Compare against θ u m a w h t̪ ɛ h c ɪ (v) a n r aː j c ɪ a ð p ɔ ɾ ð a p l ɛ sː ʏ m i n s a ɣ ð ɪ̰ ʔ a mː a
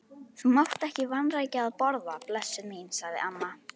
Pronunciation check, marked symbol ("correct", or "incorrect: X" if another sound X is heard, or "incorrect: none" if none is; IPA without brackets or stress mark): correct